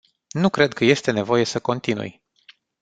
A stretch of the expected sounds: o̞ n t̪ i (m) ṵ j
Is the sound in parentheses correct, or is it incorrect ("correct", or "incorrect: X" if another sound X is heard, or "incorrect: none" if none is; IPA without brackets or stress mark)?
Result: incorrect: n